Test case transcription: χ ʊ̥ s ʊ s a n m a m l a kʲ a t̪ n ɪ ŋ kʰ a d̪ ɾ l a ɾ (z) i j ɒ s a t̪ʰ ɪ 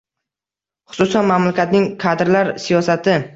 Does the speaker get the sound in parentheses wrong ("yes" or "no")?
yes